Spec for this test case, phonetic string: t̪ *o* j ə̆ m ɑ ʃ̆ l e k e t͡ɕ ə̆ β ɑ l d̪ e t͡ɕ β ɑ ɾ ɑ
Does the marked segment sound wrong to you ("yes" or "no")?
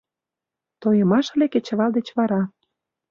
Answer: no